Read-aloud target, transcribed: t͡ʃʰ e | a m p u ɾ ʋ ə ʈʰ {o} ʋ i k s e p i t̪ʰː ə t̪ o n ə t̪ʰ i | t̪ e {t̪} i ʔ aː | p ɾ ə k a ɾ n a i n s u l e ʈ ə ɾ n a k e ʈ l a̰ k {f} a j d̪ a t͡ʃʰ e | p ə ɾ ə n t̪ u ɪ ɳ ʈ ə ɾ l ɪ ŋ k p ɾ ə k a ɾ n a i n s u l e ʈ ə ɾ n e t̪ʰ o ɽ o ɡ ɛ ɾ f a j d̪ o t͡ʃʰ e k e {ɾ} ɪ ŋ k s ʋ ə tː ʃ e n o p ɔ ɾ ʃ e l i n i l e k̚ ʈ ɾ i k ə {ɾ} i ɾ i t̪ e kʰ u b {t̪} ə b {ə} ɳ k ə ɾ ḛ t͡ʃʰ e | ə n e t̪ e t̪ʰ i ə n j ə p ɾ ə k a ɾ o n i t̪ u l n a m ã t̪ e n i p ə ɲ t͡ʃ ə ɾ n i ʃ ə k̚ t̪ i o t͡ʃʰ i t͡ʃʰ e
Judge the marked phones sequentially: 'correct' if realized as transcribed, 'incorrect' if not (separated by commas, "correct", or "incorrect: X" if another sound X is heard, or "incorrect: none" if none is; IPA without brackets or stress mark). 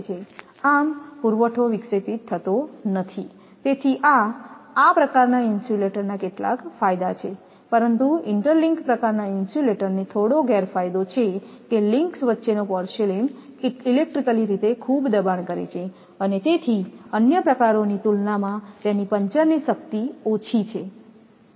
correct, incorrect: t̪ʰ, correct, incorrect: l, incorrect: l, incorrect: d̪, incorrect: a